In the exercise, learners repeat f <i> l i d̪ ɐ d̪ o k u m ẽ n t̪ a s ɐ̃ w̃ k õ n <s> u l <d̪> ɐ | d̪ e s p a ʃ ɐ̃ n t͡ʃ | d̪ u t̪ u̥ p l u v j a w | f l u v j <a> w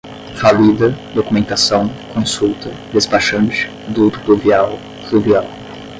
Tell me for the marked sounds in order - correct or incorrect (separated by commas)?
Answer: incorrect, correct, incorrect, correct